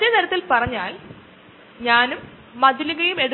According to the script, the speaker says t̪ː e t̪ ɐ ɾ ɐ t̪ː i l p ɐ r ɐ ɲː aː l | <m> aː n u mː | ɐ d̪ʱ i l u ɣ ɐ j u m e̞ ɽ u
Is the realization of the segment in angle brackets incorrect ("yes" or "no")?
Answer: yes